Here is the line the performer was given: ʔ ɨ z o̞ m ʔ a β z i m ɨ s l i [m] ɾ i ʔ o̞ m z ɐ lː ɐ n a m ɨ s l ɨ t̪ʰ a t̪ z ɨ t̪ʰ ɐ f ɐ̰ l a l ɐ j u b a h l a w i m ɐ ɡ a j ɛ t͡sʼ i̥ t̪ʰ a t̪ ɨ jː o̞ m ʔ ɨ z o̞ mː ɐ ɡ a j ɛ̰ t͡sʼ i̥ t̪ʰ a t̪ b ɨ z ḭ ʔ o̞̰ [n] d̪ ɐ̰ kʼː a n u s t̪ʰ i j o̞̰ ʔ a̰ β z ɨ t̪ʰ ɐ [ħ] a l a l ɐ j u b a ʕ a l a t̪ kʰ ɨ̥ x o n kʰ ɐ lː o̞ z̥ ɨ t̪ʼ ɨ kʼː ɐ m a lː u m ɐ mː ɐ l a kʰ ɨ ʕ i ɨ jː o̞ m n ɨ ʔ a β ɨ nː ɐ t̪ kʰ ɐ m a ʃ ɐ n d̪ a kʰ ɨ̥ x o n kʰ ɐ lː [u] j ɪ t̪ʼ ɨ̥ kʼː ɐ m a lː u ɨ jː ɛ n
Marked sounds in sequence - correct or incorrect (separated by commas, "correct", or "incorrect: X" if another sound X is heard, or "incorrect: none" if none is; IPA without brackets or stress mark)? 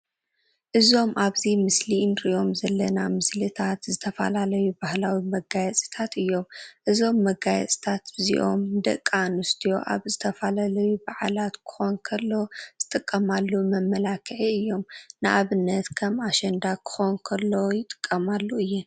incorrect: n, incorrect: m, incorrect: f, incorrect: o